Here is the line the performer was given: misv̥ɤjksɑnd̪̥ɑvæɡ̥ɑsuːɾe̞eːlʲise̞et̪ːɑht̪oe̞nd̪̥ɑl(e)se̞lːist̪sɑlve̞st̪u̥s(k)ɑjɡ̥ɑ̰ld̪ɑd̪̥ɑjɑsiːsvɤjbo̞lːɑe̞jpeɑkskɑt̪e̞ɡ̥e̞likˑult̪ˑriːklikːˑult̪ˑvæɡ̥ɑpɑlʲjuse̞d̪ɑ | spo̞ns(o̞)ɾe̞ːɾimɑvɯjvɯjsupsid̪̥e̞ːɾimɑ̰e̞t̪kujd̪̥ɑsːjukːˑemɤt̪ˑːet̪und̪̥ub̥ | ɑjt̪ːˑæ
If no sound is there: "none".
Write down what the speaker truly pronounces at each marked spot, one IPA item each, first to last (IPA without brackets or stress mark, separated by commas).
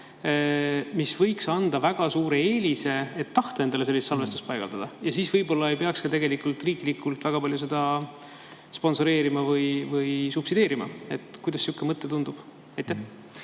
e, p, o̞